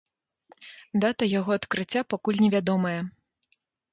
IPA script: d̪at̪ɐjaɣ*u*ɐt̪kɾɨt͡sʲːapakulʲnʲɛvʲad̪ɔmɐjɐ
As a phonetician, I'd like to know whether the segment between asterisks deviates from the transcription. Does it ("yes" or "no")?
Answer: yes